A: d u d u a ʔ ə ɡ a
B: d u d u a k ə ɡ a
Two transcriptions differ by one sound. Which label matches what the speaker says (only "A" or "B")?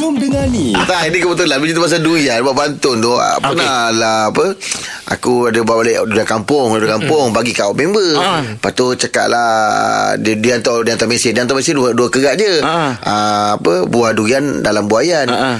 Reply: B